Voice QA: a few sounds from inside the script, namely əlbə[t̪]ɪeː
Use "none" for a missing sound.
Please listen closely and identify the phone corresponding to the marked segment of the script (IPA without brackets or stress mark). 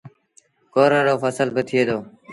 t̪ʰ